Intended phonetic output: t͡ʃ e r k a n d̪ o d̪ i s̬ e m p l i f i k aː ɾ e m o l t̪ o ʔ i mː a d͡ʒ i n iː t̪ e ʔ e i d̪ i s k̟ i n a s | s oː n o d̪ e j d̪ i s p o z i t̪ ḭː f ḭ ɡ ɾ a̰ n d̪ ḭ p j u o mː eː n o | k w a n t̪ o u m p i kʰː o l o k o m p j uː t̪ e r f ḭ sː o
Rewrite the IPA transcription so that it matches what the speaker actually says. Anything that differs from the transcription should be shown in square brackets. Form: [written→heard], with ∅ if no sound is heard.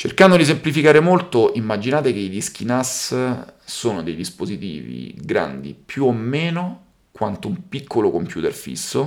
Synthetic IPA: t͡ʃ e r k a n d̪ o d̪ i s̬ e m p l i f i k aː ɾ e m o l t̪ o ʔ i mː a d͡ʒ i n [iː→aː] t̪ e [ʔ→k] e i d̪ i s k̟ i n a s | s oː n o d̪ e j d̪ i s p o z i t̪ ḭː [f→v] ḭ ɡ ɾ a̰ n d̪ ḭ p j u o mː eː n o | k w a n t̪ o u m p i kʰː o l o k o m p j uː t̪ e r f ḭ sː o